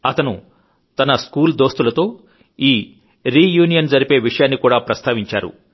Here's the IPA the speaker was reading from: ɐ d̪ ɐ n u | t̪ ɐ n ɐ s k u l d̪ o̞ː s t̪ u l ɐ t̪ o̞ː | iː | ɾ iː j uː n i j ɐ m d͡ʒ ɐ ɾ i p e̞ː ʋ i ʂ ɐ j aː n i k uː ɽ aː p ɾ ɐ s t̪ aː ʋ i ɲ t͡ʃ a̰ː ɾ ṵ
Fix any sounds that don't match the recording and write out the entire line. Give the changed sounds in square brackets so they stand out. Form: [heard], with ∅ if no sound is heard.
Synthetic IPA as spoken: ɐ [t̪] ɐ n u | t̪ ɐ n ɐ s k [uː] l d̪ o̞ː s t̪ u l ɐ t̪ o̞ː | iː | ɾ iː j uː n i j ɐ [n] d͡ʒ ɐ ɾ i p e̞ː ʋ i ʂ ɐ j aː [nː] i k uː ɽ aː p ɾ ɐ s t̪ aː ʋ i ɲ t͡ʃ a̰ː ɾ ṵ